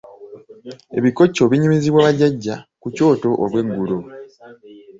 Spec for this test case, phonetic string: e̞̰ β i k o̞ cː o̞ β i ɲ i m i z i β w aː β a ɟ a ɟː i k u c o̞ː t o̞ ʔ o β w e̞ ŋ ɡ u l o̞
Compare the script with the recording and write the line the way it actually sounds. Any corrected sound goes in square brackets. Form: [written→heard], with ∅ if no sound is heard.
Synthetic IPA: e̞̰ β i k o̞ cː o̞ β i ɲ i m i z i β w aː β a ɟ a ɟː [i→a] k u c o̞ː t o̞ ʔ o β w e̞ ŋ ɡ u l o̞